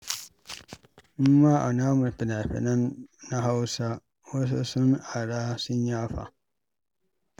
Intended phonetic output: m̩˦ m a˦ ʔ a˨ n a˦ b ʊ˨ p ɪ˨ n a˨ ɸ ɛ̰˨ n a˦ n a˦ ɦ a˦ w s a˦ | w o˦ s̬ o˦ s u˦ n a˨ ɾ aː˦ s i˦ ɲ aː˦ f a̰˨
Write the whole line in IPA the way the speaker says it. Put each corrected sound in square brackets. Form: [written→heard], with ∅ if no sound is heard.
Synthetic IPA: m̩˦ m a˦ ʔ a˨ n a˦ [b→m] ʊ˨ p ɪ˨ n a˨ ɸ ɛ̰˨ n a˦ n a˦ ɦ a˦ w s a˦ | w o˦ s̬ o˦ s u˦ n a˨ ɾ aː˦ s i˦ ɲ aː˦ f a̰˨